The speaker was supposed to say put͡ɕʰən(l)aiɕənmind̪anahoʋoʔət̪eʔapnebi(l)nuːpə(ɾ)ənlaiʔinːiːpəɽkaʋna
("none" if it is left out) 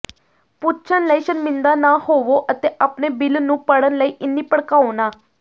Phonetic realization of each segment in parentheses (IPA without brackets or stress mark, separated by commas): l, l, ɽ